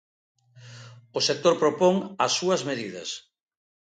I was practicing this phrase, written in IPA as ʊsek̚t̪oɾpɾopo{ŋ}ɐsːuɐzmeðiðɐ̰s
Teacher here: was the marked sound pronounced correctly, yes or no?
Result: yes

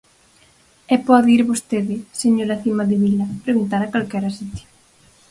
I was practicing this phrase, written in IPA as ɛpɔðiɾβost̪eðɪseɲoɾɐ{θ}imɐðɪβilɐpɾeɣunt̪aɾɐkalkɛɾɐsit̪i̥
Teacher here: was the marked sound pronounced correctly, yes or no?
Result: yes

